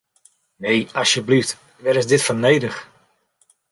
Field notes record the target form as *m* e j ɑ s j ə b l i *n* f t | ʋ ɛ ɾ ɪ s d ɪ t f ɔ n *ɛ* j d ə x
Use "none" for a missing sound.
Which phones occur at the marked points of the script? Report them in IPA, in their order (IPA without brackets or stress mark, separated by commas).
n, none, e